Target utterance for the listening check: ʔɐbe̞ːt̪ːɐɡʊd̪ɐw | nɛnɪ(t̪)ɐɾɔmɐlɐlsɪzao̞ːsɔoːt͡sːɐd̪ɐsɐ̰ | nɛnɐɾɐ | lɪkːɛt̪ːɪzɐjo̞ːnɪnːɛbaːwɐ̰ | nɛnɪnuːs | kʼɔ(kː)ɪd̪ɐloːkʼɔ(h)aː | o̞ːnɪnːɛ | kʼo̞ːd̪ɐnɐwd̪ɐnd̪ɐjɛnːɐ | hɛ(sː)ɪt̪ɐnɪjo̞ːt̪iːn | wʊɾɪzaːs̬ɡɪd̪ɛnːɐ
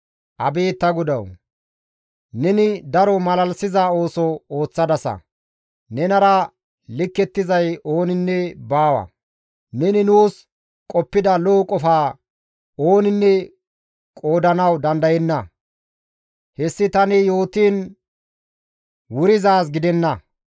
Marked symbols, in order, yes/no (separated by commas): no, no, no, yes